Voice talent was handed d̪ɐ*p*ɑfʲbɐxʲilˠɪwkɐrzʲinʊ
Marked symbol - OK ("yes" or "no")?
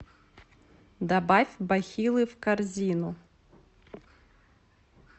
no